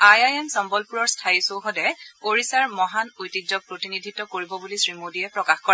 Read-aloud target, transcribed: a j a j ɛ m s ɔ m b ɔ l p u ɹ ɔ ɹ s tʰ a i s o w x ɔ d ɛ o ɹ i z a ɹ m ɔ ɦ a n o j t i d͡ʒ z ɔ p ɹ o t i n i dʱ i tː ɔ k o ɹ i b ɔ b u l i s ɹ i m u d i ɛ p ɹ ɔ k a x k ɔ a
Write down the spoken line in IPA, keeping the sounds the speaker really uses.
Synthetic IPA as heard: a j a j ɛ m s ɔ m b ɔ l p u ɹ ɔ ɹ s tʰ a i s o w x ɔ d ɛ o ɹ i s a ɹ m ɔ ɦ a n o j t i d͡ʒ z ɔ p ɹ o t i n i dʱ i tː ɔ k o ɹ i b ɔ b u l i s ɹ i m o d i ɛ p ɹ ɔ k a x k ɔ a